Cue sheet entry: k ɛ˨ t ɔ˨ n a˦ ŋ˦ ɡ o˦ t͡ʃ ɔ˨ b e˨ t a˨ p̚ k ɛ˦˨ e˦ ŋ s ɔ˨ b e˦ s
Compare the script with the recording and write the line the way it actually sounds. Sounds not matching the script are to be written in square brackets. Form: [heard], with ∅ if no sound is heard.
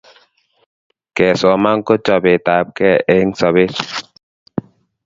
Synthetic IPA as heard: k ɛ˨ [s] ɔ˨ [m] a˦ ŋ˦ [k] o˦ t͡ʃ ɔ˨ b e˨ t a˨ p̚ k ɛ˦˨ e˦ ŋ s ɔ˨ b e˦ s